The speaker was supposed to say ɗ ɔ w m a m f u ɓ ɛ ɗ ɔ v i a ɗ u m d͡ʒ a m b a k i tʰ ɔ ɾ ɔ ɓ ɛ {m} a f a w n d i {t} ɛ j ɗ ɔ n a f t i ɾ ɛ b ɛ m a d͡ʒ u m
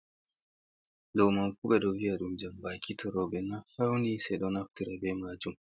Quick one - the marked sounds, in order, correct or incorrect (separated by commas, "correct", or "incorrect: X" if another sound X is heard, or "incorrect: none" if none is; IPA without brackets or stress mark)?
incorrect: n, incorrect: s